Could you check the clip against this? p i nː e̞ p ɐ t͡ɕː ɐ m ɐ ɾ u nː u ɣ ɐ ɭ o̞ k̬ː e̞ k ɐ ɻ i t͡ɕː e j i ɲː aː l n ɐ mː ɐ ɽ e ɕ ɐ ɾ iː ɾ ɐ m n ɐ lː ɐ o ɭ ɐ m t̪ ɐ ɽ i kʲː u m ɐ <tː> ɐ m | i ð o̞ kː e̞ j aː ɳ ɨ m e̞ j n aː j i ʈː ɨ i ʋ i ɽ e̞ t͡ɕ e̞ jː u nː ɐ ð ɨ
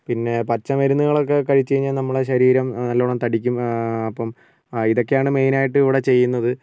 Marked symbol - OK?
no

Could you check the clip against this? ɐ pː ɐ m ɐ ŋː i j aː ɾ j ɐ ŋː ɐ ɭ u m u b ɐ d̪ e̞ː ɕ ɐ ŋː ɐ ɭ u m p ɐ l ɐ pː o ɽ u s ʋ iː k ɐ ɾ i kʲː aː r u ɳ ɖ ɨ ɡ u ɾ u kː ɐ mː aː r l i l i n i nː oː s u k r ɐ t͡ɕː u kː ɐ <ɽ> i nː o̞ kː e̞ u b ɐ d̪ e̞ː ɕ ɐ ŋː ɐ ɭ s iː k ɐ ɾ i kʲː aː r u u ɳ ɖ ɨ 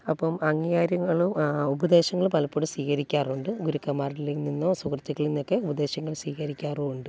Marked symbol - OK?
no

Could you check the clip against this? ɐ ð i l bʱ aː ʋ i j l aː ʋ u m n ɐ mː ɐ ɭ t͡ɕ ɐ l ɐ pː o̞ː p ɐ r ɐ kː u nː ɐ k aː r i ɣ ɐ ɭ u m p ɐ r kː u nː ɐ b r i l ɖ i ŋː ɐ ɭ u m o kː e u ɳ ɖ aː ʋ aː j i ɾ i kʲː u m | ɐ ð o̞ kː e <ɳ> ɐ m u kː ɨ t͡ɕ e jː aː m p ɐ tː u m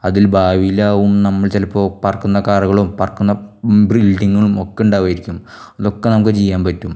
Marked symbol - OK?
no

